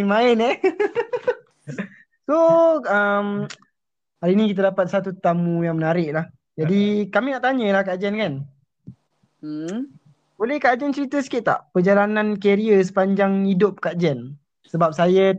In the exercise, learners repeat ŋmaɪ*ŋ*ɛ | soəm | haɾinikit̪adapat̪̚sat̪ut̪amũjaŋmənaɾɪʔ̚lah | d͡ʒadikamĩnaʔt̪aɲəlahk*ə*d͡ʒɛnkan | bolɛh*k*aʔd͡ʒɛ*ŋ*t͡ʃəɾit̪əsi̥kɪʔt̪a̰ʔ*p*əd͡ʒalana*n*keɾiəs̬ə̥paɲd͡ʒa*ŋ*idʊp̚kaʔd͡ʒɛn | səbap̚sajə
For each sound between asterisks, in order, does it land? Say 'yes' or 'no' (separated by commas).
no, no, yes, no, yes, yes, yes